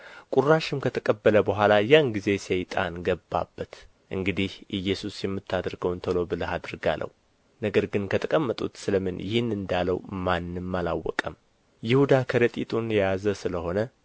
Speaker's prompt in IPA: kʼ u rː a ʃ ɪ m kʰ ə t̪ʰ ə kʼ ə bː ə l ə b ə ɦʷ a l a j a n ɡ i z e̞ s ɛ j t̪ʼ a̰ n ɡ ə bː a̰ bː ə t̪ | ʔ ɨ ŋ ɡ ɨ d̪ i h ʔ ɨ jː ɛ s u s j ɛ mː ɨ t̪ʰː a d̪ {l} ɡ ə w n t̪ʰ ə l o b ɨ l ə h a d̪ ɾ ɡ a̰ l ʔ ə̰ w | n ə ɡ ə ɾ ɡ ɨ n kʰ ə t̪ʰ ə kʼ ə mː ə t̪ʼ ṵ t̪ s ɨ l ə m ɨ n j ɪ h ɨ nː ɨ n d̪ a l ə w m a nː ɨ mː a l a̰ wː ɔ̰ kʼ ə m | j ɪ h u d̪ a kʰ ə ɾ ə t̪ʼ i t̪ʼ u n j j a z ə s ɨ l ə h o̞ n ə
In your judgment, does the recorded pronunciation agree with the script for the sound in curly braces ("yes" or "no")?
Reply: no